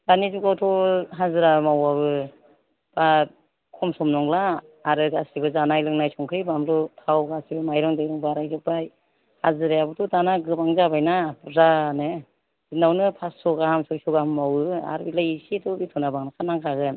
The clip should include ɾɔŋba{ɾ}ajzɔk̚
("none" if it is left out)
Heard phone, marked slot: ɾ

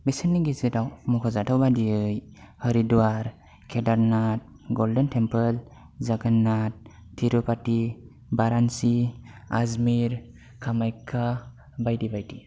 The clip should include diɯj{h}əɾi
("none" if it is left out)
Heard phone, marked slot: h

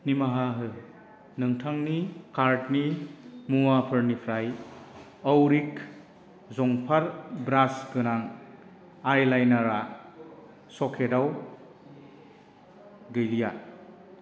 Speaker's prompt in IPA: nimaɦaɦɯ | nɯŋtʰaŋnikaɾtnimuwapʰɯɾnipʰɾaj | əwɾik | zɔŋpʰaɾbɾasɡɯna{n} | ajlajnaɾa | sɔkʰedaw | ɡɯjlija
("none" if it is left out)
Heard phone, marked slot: ŋ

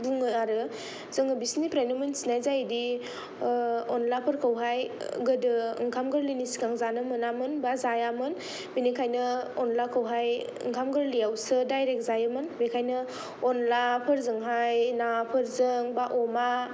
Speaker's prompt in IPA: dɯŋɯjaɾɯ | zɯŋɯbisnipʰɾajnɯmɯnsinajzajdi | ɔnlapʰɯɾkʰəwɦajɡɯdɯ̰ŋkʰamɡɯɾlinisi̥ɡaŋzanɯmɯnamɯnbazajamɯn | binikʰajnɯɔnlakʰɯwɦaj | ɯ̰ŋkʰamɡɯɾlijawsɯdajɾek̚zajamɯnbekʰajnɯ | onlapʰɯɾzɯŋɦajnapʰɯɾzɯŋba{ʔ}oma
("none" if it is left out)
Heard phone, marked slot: ʔ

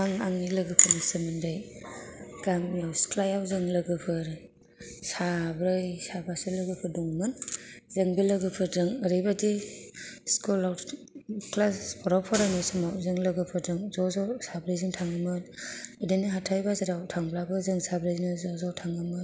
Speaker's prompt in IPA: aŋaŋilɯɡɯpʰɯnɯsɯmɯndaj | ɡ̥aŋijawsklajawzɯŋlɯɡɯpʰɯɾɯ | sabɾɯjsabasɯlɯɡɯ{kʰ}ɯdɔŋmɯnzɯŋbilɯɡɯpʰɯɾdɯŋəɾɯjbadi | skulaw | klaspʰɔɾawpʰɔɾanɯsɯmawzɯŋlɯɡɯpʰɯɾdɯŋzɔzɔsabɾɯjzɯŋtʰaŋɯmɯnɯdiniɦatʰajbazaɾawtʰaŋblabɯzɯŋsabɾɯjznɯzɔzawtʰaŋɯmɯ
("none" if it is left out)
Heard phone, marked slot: pʰ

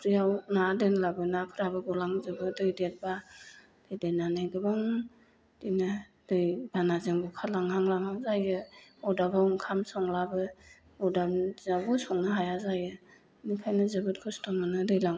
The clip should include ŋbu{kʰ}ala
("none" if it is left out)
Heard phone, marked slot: kʰ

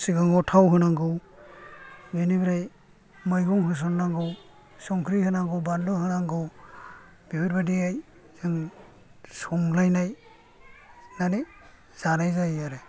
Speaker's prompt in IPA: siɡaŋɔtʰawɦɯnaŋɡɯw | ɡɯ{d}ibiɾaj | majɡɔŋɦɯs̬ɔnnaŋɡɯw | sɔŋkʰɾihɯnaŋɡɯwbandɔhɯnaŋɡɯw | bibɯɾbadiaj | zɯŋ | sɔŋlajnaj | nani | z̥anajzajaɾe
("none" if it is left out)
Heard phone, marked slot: n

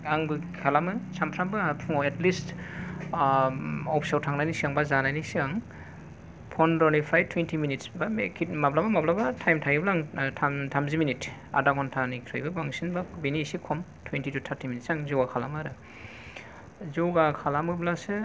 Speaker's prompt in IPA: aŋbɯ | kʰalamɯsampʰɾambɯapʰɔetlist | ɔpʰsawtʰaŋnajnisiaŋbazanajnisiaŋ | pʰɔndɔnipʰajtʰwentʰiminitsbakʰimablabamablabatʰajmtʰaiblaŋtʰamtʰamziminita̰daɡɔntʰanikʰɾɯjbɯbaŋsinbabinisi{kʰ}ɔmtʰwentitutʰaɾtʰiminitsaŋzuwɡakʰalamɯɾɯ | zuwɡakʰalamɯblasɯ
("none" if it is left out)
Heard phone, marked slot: kʰ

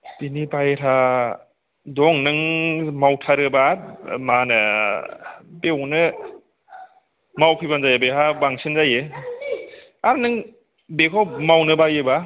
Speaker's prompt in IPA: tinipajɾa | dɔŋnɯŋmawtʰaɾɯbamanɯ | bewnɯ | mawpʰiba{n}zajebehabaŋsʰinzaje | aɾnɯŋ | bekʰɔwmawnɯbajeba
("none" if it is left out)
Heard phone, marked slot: n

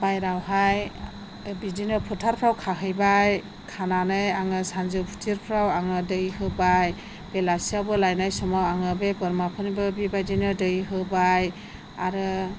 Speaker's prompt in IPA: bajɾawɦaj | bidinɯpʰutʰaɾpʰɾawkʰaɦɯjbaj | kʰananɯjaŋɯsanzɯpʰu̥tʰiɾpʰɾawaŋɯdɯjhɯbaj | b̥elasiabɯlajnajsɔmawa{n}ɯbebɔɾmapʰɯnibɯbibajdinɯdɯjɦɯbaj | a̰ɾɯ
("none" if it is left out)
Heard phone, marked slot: ŋ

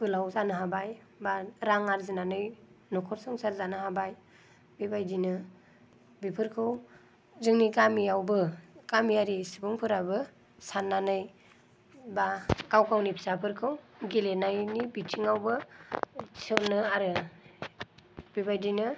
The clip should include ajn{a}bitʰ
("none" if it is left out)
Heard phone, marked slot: i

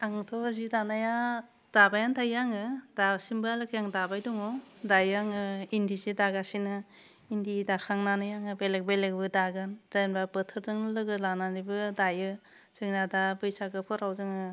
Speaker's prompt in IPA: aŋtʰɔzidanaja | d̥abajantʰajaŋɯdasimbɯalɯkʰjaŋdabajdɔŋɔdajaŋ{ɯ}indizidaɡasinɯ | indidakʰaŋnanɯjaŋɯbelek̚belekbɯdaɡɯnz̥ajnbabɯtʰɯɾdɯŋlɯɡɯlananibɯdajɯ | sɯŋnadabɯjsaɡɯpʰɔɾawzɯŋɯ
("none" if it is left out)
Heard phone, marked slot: ɯ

